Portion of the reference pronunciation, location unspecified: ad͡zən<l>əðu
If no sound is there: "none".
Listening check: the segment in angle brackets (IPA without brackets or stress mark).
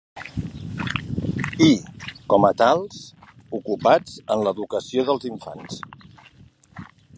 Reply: l